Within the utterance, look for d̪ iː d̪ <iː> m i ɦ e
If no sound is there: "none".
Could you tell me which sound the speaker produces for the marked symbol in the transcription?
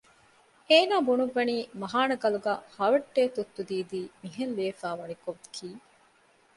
iː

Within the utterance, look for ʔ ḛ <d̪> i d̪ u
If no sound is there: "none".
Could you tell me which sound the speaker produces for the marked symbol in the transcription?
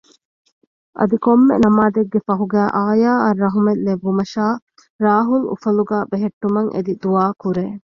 d̪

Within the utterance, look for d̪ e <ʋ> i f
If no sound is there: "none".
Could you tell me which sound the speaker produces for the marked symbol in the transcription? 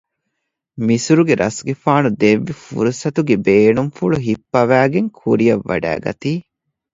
ʋː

